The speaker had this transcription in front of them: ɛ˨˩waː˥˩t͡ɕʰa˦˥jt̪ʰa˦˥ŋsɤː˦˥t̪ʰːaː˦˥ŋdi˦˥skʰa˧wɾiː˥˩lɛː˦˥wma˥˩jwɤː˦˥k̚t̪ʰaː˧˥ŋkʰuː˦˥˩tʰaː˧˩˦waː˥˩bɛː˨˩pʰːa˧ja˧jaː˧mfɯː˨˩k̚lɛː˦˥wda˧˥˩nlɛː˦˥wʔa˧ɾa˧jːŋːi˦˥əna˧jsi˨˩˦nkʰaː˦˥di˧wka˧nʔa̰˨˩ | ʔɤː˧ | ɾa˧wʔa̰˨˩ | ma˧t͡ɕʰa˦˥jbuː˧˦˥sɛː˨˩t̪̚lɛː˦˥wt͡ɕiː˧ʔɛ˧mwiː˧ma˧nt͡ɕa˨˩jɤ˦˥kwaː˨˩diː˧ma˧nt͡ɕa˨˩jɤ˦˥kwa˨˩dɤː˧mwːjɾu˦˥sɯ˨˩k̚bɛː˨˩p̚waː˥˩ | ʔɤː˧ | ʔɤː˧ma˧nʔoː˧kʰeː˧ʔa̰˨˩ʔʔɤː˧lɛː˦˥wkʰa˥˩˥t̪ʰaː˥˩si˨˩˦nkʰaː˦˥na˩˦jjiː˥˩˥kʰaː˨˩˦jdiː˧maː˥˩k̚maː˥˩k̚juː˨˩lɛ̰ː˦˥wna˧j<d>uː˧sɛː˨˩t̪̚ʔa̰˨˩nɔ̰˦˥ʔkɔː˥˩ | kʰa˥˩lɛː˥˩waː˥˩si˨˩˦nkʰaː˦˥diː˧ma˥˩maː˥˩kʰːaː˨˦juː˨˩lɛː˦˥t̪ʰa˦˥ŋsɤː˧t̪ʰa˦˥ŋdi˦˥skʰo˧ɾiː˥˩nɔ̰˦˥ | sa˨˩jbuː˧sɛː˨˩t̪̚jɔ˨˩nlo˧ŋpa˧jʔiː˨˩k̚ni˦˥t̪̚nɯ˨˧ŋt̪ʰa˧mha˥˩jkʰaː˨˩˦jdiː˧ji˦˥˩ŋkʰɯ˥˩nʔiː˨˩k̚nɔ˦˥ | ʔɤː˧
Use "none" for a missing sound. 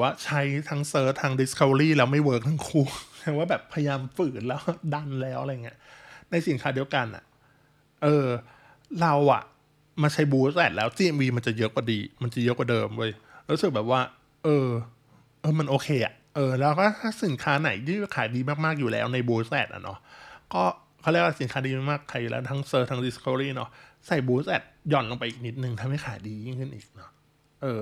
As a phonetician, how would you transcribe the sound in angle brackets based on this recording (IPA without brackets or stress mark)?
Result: b